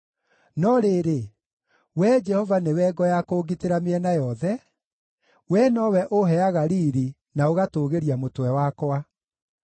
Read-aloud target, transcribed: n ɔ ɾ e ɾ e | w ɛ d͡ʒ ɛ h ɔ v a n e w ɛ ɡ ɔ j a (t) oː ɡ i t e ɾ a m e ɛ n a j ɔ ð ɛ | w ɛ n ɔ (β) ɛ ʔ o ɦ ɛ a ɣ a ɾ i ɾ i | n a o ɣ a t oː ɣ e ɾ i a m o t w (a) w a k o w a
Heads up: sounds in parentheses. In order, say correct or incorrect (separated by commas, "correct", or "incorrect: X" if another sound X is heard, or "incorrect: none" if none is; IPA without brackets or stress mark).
incorrect: k, incorrect: w, incorrect: ɛ